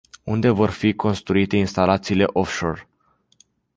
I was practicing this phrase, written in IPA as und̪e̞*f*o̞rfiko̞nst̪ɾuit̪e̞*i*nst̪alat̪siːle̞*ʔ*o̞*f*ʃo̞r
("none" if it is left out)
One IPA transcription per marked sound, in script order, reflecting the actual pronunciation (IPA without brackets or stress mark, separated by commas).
v, i, ʔ, f